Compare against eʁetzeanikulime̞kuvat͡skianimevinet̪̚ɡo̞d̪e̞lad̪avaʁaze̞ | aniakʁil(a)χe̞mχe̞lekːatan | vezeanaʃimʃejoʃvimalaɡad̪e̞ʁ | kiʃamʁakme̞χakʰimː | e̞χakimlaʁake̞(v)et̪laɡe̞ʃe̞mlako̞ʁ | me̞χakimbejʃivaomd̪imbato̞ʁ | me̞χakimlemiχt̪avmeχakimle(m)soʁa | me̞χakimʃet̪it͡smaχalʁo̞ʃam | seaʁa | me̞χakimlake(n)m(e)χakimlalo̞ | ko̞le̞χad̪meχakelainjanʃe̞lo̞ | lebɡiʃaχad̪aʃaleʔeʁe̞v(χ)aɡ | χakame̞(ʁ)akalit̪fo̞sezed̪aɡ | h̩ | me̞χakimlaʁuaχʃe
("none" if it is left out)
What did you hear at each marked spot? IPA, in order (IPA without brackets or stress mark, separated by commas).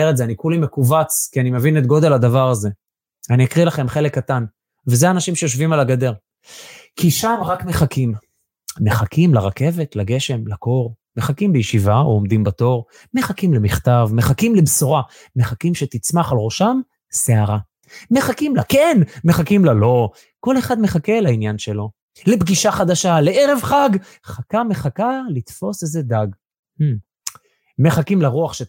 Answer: a, v, b, n, e, χ, χ